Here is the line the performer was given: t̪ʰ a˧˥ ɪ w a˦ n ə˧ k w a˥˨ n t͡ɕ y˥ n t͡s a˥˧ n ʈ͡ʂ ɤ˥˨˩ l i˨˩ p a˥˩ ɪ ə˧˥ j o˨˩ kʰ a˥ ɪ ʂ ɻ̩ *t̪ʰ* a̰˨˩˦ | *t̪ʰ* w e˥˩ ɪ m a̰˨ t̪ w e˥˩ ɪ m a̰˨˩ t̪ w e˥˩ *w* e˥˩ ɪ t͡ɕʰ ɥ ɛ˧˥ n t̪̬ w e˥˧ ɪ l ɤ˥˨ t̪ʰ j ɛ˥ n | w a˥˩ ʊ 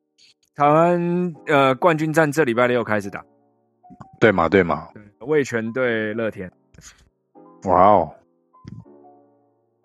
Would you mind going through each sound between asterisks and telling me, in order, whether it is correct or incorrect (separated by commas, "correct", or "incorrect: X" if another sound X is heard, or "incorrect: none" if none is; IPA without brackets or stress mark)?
incorrect: t̪, incorrect: t̪, correct